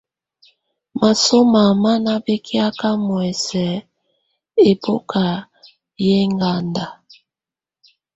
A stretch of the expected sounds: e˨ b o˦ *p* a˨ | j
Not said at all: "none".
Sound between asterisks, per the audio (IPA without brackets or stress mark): k